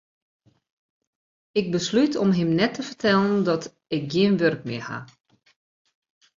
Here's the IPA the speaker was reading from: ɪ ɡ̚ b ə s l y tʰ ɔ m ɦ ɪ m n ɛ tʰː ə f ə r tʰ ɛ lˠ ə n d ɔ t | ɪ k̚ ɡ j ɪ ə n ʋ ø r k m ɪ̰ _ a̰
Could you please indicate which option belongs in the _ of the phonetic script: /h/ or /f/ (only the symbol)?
h